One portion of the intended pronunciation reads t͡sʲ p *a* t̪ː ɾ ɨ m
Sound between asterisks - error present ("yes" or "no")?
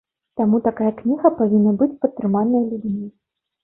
yes